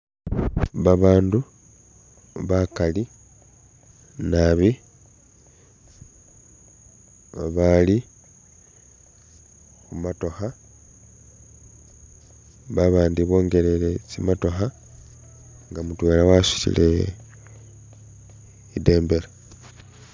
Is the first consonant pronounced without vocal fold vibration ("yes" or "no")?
no